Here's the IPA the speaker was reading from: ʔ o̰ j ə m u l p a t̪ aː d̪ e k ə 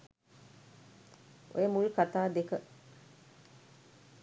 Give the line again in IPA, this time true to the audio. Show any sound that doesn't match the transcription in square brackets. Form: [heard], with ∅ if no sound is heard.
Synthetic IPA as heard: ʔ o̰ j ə m u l [k] a t̪ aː d̪ e k ə